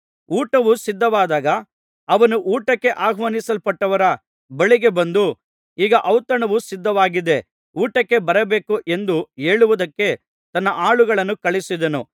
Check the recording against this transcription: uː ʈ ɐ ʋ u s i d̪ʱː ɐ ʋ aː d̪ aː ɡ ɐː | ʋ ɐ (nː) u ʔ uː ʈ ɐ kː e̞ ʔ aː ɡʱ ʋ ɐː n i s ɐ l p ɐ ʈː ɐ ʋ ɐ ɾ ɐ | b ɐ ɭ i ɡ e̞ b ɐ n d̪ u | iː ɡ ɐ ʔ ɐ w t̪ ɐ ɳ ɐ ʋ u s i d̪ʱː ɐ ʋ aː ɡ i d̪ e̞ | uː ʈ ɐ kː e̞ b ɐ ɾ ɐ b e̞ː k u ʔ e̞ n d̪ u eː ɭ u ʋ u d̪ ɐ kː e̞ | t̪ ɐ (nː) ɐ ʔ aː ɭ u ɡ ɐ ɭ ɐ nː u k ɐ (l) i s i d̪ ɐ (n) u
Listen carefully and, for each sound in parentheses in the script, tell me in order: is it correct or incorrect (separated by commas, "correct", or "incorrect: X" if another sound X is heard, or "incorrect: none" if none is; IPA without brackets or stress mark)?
incorrect: n, correct, incorrect: ɭ, correct